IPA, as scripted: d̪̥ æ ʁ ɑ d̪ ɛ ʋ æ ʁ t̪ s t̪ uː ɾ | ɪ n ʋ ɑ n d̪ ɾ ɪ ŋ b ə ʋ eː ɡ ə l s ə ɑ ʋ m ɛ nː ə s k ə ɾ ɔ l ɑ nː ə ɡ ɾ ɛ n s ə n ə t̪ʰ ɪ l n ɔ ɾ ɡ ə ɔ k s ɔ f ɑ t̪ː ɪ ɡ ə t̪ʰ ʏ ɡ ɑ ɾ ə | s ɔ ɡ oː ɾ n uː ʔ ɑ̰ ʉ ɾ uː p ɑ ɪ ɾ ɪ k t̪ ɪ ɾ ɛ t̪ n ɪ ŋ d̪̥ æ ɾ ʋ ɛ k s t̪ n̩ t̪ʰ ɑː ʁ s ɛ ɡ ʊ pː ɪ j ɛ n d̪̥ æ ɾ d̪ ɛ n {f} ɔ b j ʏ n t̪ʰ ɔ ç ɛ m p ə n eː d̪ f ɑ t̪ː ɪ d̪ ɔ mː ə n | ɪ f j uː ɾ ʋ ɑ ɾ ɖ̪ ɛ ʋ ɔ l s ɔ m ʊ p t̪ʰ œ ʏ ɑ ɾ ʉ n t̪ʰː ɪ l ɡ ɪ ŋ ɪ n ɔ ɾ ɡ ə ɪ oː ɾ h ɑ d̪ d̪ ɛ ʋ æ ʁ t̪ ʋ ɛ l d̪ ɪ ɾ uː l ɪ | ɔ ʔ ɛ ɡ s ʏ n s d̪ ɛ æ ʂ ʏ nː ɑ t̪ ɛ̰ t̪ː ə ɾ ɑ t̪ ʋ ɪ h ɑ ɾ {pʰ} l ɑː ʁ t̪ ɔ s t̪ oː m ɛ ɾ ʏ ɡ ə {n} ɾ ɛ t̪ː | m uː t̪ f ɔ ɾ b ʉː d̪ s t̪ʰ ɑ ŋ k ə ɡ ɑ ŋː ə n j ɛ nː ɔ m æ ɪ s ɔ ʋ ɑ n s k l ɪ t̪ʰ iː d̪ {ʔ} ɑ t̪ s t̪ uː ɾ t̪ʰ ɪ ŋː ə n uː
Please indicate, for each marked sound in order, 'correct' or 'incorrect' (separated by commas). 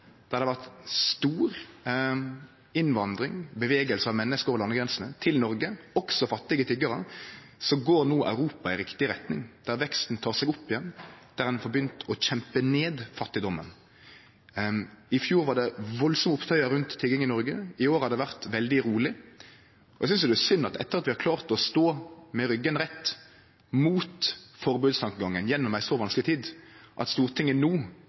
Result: correct, incorrect, correct, correct